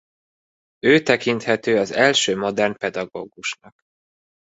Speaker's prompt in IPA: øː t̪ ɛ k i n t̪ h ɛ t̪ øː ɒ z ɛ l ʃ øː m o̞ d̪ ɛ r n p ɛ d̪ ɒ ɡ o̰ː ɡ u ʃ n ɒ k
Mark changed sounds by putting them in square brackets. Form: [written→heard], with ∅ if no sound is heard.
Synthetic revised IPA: øː t̪ ɛ k i n t̪ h ɛ t̪ øː ɒ z ɛ l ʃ øː m o̞ d̪ ɛ r n p ɛ d̪ ɒ ɡ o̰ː ɡ u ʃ n ɒ k